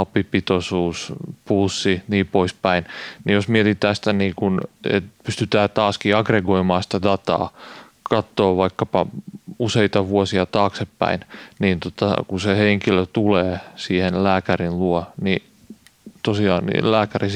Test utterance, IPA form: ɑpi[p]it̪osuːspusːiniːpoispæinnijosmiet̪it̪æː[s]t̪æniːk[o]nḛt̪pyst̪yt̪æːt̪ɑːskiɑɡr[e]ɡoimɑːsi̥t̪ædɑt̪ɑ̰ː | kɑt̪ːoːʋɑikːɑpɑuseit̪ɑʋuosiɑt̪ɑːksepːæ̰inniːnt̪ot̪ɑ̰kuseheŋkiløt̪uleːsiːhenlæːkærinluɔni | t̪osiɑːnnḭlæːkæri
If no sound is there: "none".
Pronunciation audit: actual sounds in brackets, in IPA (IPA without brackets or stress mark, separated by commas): p, s, u, e